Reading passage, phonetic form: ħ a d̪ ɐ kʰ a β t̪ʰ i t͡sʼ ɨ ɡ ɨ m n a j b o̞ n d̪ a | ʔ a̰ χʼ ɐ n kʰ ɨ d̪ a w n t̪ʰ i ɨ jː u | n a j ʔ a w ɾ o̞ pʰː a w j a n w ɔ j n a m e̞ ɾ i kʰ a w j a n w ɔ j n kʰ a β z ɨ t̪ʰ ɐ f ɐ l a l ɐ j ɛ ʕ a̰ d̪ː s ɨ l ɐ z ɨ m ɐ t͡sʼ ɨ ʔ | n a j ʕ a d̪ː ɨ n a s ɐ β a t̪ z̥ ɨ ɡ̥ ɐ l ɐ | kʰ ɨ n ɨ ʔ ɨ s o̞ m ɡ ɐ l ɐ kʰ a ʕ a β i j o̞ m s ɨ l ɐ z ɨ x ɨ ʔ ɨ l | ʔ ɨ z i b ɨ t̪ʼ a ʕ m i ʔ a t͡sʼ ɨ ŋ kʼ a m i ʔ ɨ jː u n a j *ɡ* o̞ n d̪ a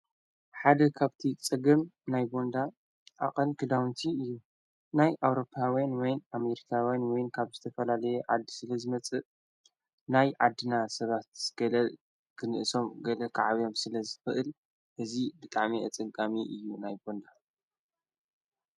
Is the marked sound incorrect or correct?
incorrect